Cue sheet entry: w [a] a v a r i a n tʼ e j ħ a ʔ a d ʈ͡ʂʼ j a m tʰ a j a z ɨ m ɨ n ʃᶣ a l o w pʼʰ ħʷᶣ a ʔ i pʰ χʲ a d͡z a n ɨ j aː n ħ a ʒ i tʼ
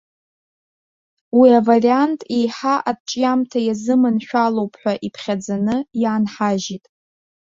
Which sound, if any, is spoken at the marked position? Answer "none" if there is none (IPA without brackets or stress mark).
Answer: i